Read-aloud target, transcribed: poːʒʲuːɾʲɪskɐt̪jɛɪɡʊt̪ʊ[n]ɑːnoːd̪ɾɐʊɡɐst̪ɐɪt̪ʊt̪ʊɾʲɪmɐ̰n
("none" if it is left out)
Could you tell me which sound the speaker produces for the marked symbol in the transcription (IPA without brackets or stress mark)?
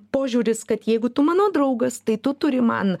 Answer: m